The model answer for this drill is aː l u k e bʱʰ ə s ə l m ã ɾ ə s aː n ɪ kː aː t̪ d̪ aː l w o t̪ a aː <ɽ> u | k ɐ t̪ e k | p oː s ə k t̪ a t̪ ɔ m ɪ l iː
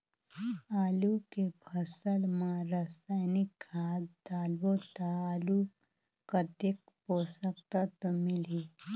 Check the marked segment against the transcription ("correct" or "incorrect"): incorrect